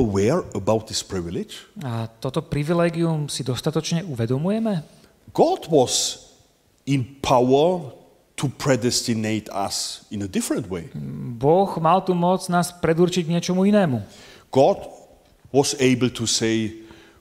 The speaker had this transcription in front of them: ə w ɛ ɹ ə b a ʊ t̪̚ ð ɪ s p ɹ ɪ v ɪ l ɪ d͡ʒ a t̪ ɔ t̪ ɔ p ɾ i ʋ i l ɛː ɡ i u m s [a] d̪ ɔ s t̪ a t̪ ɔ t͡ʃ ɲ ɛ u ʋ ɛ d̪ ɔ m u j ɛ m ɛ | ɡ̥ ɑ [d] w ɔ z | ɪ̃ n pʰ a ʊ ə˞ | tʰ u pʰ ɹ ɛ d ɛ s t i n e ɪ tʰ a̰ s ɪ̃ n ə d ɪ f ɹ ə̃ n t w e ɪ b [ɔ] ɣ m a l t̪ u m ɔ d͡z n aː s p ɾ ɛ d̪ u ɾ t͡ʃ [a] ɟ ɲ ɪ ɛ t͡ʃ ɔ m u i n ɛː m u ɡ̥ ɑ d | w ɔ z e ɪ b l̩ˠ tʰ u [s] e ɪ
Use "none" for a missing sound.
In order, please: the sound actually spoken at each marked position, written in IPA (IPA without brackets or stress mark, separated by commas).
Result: i, d, ɔ, i, s